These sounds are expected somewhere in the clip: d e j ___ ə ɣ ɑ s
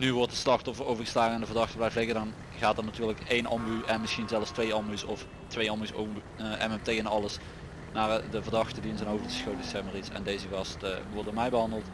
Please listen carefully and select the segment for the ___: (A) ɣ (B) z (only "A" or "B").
B